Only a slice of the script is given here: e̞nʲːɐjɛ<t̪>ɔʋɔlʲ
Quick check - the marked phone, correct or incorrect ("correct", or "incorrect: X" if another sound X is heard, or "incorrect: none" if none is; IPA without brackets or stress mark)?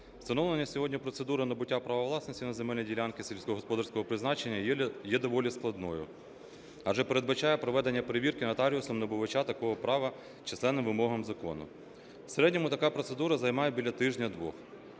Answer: incorrect: d̪